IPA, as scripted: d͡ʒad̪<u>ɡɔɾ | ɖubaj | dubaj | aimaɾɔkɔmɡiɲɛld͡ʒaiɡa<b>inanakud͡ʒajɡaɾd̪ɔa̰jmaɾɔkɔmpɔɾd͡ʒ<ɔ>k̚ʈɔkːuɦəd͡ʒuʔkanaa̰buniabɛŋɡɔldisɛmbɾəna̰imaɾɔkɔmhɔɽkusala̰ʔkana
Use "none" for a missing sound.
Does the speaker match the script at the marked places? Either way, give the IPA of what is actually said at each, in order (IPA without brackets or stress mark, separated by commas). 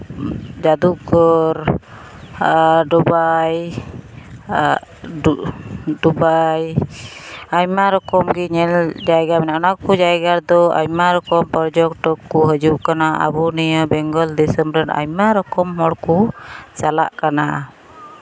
u, m, ɔ